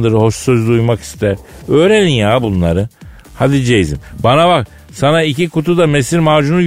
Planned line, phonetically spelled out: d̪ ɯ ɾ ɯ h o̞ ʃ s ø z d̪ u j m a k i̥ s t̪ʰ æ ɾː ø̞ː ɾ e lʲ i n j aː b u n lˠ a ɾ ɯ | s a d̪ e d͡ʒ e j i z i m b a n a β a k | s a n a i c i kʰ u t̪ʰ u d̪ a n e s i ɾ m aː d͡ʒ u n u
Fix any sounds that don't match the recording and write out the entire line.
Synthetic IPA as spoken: d̪ ɯ ɾ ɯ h o̞ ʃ s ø z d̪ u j m a k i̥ s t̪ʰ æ ɾ ø̞ː ɾ e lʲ i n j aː b u n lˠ a ɾ ɯ | h a d̪ i d͡ʒ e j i z i m b a n a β a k | s a n a i c i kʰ u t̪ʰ u d̪ a m e s i ɾ m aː d͡ʒ u n u